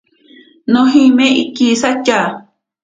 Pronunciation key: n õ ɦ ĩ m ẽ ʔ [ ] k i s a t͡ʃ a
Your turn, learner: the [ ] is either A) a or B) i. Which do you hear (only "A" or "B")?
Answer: B